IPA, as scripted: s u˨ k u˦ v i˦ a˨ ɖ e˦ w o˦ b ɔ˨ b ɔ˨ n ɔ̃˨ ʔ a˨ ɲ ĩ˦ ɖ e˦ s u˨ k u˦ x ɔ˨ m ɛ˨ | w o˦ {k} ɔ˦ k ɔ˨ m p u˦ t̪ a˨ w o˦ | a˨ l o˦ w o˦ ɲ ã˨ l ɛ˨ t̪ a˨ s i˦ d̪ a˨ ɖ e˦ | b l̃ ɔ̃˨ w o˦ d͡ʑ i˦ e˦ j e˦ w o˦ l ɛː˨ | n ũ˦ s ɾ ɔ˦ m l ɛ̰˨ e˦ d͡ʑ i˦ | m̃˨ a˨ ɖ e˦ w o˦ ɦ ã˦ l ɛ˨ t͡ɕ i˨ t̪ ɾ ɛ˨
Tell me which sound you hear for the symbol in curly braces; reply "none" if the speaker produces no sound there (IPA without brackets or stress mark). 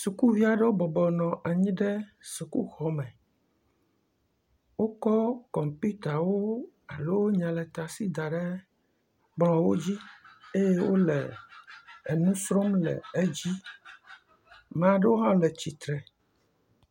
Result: k